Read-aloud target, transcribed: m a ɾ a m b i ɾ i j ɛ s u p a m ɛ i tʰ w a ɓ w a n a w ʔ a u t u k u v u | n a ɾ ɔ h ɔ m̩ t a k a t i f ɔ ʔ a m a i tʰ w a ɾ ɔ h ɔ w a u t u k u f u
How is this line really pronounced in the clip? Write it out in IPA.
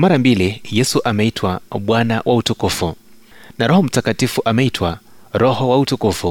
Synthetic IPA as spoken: m a ɾ a m b i l i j ɛ s u ʔ a m ɛ i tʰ w a ɓ w a n a w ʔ a u t u k u f u | n a ɾ ɔ h ɔ m̩ t a k a t i f u ʔ a m ɛ i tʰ w a ɾ ɔ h ɔ w a u t u k u f u